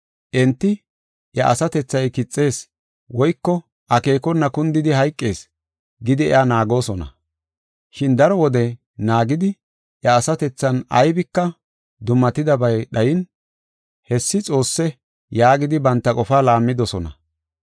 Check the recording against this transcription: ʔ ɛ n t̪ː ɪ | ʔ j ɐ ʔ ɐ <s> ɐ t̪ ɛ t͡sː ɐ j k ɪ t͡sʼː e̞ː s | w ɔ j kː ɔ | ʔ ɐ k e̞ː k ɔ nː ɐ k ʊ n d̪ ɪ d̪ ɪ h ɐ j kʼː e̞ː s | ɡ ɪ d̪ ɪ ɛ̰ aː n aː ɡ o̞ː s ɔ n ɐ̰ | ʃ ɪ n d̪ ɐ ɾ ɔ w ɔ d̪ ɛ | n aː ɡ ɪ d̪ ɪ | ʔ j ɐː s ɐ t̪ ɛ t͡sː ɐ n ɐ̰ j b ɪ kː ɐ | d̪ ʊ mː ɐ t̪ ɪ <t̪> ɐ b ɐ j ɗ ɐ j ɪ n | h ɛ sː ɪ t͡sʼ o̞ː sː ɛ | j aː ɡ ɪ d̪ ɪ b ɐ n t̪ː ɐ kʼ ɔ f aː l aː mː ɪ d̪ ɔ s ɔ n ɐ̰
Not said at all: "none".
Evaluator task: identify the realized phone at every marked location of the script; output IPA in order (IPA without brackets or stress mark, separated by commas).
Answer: s, d̪